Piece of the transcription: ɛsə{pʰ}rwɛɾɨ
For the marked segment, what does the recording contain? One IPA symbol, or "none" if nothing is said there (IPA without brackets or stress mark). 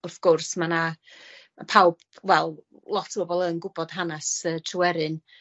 tʰ